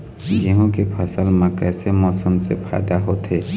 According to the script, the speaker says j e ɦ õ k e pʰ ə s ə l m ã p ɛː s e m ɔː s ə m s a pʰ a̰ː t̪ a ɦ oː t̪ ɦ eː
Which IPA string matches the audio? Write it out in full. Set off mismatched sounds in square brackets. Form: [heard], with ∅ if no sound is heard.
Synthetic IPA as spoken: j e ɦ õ k e pʰ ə s ə l m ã [k] ɛː s e m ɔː s ə m s [e] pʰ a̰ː [d̪] a ɦ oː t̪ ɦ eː